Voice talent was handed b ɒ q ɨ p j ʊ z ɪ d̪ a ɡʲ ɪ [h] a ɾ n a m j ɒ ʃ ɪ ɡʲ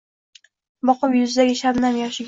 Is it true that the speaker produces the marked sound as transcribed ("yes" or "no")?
no